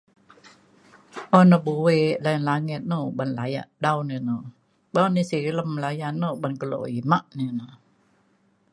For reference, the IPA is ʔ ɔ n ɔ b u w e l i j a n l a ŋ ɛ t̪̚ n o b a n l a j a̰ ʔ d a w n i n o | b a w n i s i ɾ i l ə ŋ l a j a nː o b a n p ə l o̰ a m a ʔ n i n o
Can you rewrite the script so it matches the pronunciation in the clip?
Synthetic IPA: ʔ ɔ n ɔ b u w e l a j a n l a ŋ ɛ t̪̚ n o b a n l a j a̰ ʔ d a w n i n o | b a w n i s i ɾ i l ə m l a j a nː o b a n k ə l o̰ i m a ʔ n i n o